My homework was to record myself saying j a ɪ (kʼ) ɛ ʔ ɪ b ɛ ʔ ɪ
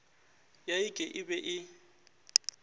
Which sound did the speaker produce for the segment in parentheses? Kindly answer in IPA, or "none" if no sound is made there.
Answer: kʼ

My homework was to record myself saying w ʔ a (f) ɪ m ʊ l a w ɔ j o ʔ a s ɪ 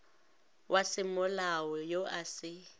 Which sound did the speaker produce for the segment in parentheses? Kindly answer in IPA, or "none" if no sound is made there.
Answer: s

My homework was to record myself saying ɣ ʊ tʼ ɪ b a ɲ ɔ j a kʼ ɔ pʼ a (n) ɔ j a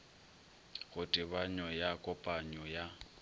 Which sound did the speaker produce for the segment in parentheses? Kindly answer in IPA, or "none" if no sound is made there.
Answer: ɲ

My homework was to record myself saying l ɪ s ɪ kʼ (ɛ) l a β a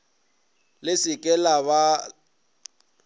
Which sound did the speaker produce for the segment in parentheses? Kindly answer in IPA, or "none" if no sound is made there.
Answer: ɛ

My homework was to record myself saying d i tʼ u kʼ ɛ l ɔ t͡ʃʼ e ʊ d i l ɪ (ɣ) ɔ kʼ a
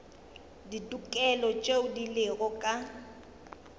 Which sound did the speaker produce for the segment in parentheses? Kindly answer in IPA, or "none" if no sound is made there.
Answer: ɣ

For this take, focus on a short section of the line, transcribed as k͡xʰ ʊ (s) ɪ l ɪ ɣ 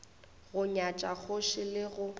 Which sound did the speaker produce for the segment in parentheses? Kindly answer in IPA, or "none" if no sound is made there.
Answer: ʃ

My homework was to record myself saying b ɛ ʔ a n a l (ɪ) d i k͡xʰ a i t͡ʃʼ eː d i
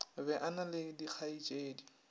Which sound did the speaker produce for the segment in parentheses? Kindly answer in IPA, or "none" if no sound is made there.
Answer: ɪ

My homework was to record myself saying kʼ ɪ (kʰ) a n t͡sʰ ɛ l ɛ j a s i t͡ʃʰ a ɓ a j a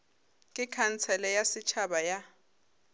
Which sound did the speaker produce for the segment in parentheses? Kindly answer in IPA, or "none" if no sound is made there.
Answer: kʰ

